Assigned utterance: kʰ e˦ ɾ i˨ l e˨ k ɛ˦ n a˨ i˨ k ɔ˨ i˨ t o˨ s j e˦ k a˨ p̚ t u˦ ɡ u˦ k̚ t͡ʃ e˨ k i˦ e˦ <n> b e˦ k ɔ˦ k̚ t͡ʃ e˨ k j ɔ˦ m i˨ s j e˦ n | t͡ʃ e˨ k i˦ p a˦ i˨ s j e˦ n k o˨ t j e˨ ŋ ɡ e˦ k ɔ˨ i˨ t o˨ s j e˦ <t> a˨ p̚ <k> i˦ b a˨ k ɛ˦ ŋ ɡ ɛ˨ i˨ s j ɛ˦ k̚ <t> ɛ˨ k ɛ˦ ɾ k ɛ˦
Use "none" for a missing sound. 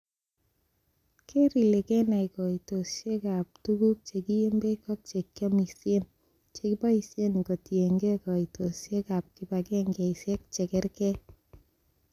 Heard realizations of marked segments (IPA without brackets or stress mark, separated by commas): m, k, k, t͡ʃ